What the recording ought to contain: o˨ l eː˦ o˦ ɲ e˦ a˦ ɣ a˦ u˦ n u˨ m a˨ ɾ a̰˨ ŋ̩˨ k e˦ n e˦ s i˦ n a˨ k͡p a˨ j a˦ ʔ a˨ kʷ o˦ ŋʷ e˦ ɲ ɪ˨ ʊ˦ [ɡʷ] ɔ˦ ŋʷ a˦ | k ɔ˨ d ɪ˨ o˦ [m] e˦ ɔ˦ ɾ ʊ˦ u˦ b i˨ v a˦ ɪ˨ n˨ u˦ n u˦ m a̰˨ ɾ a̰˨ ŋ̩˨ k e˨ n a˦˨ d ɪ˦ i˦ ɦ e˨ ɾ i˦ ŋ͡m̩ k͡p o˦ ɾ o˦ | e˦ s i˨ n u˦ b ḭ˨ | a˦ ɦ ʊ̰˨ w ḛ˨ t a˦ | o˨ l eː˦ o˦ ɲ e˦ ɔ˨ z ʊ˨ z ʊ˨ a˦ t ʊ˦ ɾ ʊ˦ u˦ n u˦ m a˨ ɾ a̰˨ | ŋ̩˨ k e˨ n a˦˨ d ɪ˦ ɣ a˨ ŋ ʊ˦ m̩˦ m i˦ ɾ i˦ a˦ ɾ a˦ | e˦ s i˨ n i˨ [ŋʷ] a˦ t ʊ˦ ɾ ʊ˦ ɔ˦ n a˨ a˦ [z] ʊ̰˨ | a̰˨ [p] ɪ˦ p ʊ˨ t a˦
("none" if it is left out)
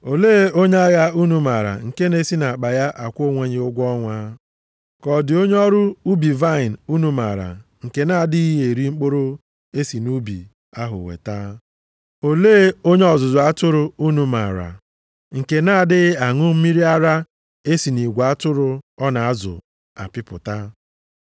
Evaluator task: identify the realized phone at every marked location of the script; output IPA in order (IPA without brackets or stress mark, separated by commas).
ɡʷ, ɲ, ɡʷ, z, p